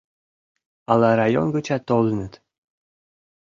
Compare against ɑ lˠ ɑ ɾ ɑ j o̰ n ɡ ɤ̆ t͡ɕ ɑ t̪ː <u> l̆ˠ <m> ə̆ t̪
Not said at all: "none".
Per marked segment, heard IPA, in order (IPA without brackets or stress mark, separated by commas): o, n